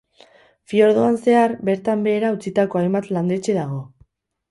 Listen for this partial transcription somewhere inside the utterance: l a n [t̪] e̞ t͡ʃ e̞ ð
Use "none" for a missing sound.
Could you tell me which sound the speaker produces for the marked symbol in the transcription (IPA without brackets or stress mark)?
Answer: d̪